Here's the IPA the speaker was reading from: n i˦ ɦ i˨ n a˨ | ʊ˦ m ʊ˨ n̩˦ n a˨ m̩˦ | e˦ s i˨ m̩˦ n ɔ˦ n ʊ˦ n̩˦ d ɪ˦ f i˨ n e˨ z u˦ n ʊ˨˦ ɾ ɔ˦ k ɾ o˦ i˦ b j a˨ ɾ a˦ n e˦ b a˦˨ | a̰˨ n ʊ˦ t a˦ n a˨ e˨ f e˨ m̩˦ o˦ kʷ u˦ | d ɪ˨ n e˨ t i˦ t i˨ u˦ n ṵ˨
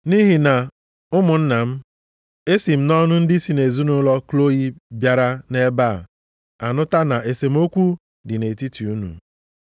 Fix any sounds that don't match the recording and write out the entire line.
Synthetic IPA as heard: n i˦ ɦ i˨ n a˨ | ʊ˦ m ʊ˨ n̩˦ n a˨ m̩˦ | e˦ s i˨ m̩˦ n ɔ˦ n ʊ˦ n̩˦ d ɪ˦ s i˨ n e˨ z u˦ n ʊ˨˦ l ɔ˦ k l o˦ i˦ b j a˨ ɾ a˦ n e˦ b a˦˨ | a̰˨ n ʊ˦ t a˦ n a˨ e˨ s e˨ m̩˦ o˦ kʷ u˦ | d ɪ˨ n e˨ t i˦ t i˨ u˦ n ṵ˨

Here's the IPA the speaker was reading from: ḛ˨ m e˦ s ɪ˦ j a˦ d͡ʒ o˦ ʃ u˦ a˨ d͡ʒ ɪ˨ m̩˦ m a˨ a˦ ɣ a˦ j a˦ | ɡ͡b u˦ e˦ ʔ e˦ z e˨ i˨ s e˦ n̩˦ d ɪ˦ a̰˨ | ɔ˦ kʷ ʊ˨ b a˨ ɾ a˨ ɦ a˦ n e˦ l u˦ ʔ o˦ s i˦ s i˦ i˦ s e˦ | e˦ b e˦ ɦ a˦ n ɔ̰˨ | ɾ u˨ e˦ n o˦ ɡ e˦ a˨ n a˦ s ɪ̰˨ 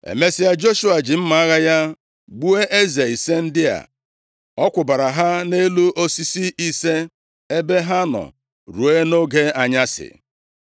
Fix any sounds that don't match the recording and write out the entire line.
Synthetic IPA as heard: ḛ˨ m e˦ s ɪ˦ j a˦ d͡ʒ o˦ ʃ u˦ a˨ d͡ʒ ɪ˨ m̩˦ m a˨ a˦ ɣ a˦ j a˦ | ɡ͡b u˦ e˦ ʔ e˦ z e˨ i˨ s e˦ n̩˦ d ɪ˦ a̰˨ | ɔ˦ kʷ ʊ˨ b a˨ ɾ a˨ ɦ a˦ n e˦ l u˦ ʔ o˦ s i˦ s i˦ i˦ s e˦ | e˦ b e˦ ɦ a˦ n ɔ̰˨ | ɾ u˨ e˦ n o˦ ɡ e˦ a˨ ɲ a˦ s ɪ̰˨

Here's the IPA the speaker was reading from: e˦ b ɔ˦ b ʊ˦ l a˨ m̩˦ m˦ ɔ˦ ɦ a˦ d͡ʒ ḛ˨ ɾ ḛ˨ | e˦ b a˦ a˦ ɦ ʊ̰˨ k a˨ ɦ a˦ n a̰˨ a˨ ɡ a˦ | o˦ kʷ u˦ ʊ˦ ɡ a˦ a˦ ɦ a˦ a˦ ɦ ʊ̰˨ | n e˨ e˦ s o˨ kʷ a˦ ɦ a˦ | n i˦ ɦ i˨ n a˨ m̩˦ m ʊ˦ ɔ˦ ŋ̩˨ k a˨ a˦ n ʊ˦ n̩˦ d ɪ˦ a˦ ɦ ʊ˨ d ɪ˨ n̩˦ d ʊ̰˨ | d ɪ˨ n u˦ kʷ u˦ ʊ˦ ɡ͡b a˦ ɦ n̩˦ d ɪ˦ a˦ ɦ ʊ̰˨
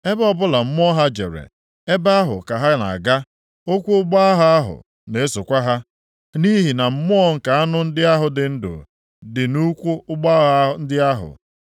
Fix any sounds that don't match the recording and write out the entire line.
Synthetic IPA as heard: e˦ b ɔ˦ b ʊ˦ l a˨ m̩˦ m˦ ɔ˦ ɦ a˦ d͡ʒ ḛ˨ ɾ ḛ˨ | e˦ b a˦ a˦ ɦ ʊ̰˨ k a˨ ɦ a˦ n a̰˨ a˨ ɡ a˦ | o˦ kʷ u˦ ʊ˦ ɡ͡b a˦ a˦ ɦ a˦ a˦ ɦ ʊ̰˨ | n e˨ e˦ s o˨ kʷ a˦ ɦ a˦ | n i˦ ɦ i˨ n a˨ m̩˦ m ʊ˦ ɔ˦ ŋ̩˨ k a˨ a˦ n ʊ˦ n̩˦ d ɪ˦ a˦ ɦ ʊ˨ d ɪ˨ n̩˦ d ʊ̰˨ | d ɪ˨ n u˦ kʷ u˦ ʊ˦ ɡ͡b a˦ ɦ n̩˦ d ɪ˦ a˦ ɦ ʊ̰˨

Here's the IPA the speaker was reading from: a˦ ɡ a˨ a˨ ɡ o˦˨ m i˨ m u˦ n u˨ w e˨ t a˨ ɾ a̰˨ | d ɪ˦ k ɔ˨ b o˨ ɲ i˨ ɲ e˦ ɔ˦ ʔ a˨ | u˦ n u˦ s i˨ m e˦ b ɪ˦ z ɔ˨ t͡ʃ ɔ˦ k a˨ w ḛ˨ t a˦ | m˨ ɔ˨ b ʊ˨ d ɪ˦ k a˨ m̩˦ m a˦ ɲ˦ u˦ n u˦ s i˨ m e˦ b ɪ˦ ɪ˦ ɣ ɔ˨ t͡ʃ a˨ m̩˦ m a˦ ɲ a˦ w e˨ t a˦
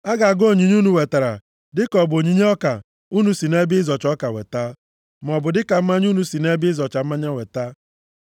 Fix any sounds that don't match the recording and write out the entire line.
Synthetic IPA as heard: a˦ ɡ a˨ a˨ ɡ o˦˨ ɲ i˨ ɲ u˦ n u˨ w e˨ t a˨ ɾ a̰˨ | d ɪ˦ k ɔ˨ b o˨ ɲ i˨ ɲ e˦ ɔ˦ k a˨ | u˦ n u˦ s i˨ n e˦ b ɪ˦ z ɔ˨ t͡ʃ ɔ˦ k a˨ w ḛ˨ t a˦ | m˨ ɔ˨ b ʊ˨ d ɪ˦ k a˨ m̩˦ m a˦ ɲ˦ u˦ n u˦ s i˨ n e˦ b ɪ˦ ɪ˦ z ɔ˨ t͡ʃ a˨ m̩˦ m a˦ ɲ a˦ w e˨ t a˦

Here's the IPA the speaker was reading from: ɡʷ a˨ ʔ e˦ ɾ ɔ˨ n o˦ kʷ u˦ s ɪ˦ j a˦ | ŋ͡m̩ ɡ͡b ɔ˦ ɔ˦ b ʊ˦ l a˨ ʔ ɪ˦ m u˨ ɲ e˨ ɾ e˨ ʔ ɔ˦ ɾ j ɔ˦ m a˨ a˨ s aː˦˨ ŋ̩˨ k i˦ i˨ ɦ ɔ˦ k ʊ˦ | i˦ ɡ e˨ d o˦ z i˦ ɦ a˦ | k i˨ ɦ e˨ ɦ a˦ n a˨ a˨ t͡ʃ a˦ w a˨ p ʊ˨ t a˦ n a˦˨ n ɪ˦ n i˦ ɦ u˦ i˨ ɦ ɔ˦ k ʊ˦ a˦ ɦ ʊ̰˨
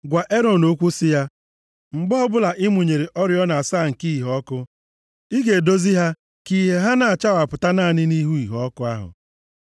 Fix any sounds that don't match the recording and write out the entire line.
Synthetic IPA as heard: ɡʷ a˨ ʔ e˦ ɾ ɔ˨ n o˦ kʷ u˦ s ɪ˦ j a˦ | ŋ͡m̩ ɡ͡b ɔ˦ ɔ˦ b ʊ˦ l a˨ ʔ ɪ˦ m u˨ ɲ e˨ ɾ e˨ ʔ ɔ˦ ɾ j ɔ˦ n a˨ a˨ s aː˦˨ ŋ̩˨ k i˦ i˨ ɦ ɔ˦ k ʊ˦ | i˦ ɡ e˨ d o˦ z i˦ ɦ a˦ | k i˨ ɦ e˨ ɦ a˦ n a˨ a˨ t͡ʃ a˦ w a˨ p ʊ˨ t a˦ n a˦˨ n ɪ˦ n i˦ ɦ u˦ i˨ ɦ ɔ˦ k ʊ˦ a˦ ɦ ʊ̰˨

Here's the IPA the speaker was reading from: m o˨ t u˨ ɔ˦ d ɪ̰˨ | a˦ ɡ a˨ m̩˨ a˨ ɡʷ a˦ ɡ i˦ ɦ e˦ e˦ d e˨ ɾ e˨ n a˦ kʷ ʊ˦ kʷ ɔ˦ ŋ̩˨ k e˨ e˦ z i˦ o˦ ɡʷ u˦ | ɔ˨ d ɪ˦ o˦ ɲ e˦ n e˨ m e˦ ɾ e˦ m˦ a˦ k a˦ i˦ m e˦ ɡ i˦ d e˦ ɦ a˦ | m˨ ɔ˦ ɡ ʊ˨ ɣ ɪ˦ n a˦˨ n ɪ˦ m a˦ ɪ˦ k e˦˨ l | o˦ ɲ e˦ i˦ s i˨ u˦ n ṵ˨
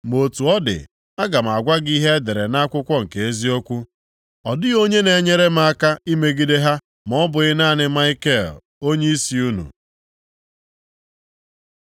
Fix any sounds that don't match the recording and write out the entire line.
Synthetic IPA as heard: m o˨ t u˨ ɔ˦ d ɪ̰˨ | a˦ ɡ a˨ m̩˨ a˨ ɡʷ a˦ ɡ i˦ ɦ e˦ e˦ d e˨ ɾ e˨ n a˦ kʷ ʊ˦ kʷ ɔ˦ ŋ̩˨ k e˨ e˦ z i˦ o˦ kʷ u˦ | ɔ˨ d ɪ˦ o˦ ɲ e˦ n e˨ ɲ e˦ ɾ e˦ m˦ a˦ k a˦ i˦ m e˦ ɡ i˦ d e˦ ɦ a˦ | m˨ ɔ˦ b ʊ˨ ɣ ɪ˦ n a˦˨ n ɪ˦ m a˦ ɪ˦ k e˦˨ l | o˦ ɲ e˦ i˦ s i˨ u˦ n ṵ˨

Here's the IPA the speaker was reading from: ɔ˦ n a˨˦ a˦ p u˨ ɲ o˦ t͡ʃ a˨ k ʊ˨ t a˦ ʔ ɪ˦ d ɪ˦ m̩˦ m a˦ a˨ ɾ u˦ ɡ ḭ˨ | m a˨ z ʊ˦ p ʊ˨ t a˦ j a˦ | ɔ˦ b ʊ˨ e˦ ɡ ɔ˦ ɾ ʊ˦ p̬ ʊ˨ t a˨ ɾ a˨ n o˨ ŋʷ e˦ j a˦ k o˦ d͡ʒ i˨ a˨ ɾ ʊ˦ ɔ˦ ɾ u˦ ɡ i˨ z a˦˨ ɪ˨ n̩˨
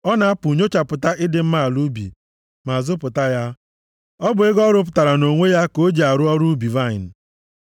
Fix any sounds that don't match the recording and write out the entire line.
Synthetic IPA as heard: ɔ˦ n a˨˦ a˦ p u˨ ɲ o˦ t͡ʃ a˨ p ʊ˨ t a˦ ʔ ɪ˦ d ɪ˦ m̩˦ m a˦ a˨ l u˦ b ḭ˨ | m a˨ z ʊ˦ p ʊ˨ t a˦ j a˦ | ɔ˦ b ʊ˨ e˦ ɡ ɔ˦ ɾ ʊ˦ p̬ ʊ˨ t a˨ ɾ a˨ n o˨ ŋʷ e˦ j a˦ k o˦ d͡ʒ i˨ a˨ ɾ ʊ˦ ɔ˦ ɾ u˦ b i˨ v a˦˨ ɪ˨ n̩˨

